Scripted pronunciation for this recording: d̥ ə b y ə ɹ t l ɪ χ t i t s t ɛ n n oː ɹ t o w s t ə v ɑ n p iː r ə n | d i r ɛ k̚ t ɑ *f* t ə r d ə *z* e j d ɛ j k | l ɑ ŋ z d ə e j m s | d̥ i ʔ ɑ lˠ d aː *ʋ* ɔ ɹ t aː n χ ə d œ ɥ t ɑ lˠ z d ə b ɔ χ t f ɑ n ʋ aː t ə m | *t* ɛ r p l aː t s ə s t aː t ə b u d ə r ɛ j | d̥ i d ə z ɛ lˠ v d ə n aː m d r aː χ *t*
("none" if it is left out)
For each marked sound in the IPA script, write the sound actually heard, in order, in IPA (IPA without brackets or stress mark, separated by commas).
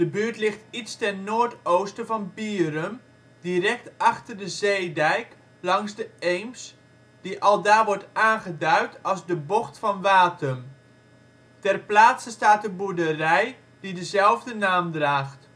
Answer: χ, z, ʋ, t, t